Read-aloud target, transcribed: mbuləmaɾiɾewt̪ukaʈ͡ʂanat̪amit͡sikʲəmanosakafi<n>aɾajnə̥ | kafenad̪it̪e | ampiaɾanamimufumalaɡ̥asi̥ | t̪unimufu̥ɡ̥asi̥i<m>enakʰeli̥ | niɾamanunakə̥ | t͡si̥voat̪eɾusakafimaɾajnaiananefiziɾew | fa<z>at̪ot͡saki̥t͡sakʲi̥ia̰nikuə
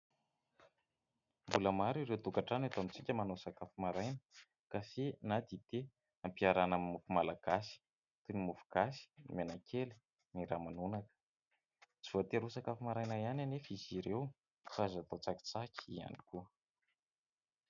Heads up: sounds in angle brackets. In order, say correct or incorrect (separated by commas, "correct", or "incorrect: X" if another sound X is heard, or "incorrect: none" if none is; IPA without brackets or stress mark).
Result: incorrect: m, correct, correct